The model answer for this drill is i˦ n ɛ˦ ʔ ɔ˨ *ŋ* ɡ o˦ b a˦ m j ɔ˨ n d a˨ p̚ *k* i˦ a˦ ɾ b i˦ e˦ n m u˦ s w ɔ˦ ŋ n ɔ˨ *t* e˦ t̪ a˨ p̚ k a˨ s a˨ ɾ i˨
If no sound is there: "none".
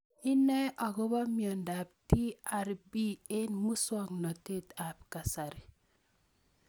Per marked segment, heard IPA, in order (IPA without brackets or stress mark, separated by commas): none, t, t